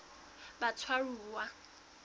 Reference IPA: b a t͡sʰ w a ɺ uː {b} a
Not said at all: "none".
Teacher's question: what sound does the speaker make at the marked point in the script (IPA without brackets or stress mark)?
w